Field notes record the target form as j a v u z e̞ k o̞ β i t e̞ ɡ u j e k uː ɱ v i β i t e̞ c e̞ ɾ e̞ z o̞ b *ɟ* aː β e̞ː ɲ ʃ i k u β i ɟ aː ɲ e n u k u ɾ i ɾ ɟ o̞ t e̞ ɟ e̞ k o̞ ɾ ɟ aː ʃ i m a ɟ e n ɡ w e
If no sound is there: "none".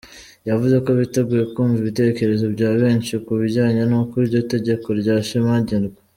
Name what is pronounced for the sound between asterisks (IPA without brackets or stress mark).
ɟ